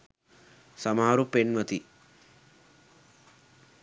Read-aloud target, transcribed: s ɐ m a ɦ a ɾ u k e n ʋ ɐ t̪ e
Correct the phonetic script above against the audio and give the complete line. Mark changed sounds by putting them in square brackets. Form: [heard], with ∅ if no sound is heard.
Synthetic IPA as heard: s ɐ m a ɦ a ɾ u [p] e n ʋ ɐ t̪ [i]